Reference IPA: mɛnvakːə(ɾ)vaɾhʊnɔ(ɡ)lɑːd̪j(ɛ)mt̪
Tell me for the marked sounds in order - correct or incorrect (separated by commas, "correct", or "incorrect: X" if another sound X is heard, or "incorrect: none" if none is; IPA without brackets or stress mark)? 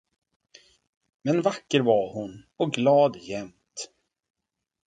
correct, correct, correct